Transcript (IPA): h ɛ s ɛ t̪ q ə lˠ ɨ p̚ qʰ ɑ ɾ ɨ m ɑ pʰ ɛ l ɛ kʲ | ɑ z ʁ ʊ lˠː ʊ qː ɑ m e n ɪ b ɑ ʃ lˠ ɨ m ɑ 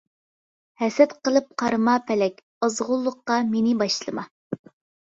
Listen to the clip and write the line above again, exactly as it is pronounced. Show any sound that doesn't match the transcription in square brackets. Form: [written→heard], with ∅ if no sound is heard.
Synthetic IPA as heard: h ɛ s ɛ t̪ q ə lˠ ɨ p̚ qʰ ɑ ɾ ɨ m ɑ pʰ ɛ l ɛ kʲ | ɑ z ʁ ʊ lˠː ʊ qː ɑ m e n ɪ b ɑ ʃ lˠ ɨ m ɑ